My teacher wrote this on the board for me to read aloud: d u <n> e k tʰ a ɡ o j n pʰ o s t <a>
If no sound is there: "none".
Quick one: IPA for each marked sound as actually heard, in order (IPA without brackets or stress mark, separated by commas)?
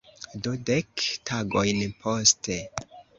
d, e